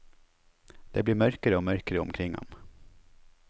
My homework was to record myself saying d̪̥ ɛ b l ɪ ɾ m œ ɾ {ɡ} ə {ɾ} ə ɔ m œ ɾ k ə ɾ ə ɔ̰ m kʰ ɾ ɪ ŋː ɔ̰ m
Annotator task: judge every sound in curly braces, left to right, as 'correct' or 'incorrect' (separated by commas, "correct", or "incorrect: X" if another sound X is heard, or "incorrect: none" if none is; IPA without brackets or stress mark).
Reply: incorrect: k, correct